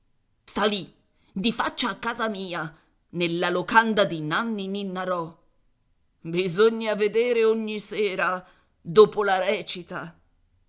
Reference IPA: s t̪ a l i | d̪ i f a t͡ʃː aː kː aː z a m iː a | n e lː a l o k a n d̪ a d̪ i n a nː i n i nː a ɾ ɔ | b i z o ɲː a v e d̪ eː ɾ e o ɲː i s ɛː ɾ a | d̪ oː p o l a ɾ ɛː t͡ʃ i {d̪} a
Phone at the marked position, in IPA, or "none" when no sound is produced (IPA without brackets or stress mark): t̪